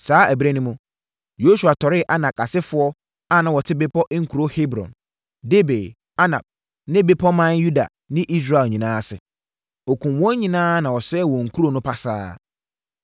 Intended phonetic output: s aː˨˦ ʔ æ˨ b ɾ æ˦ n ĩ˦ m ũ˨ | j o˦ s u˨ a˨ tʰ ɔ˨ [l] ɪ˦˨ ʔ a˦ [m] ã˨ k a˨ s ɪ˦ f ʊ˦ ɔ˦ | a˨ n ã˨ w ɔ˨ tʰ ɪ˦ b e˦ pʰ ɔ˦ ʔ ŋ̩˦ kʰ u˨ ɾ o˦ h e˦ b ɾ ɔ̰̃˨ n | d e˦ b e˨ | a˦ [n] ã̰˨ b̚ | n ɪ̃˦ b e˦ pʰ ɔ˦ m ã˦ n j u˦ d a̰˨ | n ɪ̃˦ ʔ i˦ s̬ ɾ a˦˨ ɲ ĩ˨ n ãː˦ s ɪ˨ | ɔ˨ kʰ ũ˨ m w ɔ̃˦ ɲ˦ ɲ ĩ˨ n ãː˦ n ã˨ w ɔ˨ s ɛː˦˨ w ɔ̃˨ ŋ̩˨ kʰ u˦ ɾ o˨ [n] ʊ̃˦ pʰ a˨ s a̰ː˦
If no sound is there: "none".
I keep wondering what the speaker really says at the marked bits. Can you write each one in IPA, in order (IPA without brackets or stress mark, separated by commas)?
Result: ɾ, n, n, n